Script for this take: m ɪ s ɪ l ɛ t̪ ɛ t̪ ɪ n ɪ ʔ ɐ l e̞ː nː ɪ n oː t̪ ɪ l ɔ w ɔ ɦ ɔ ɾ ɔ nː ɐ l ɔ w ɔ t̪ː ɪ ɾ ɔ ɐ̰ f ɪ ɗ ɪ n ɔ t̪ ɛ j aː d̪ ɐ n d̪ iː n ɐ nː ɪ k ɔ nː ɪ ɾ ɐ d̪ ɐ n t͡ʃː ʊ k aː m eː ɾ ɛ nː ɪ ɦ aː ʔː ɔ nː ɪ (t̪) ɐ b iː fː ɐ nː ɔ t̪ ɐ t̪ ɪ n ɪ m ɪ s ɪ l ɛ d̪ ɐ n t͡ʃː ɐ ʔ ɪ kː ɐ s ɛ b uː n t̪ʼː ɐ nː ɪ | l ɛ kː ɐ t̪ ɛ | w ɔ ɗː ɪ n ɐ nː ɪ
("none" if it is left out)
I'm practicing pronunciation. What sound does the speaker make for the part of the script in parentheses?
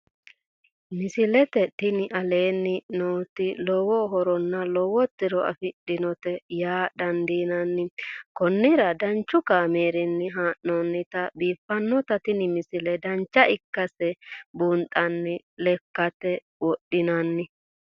t̪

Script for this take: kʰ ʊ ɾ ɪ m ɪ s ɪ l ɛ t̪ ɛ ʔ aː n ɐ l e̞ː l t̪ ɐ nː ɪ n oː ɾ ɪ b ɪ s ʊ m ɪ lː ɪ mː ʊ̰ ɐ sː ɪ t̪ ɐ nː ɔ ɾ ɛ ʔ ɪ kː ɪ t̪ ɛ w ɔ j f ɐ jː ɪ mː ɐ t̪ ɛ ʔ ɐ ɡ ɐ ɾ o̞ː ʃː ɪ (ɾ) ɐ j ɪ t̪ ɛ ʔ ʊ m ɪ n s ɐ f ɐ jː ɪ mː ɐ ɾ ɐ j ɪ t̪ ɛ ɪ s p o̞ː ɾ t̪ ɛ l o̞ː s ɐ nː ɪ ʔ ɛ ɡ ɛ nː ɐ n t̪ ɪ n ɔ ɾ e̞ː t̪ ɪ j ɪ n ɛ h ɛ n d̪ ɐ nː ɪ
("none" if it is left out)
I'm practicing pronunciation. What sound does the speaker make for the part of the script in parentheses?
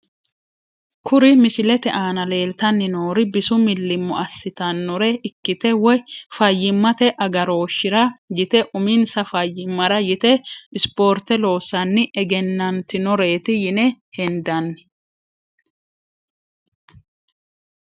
ɾ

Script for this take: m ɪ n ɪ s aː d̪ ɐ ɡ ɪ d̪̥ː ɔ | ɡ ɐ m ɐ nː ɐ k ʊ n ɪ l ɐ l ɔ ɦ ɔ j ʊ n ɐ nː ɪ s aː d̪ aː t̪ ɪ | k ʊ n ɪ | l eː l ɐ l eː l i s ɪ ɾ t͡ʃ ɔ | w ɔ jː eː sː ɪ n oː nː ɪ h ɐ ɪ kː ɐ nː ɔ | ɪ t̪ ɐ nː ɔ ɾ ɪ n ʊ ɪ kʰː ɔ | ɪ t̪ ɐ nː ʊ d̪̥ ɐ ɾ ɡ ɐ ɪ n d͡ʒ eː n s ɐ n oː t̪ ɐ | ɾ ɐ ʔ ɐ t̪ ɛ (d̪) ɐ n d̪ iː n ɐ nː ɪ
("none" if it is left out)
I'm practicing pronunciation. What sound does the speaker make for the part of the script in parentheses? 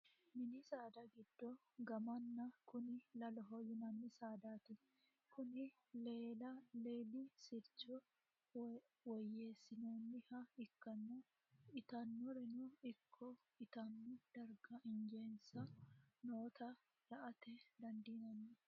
d̪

